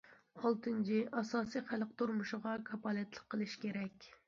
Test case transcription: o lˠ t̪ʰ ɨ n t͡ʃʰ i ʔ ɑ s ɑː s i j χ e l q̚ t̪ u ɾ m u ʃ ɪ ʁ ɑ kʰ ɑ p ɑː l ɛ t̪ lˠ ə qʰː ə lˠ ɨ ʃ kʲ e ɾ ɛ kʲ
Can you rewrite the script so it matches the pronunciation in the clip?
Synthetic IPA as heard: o lˠ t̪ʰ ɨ n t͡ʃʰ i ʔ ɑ s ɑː s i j χ æ l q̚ t̪ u ɾ m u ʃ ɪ ʁ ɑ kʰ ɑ p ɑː l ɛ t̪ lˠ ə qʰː ə lˠ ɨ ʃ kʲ e ɾ ɛ kʲ